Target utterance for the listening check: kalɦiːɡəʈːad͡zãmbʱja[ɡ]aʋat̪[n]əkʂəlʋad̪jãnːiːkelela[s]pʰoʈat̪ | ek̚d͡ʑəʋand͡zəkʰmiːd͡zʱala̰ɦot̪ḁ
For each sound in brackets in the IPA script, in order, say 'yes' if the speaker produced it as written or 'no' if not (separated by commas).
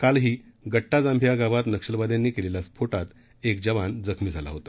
yes, yes, yes